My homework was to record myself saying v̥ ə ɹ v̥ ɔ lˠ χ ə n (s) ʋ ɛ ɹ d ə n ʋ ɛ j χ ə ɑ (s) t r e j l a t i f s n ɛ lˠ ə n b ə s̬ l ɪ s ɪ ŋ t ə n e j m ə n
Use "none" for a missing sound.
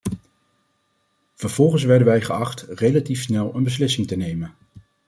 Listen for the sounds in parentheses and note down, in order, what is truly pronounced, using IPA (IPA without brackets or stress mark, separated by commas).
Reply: s, χ